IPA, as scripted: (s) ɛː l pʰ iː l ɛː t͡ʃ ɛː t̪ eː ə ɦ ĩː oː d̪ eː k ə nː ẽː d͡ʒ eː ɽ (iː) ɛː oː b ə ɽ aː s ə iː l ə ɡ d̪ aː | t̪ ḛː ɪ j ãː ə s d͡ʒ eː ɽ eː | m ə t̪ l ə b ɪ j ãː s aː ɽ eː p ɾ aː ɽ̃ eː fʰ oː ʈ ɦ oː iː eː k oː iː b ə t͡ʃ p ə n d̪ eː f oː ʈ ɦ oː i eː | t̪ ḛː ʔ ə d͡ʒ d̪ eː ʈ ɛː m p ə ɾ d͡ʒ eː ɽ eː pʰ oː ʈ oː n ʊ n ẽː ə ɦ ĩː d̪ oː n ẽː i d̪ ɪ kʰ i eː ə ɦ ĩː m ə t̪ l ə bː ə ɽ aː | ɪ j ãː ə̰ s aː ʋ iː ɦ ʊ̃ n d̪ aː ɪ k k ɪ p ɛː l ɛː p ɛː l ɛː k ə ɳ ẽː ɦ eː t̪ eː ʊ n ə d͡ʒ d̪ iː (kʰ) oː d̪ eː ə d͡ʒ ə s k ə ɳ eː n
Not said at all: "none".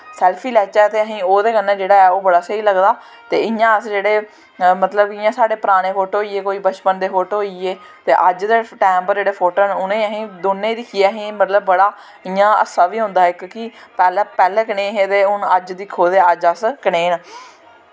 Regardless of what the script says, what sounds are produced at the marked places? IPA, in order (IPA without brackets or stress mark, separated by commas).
s, aː, kʰ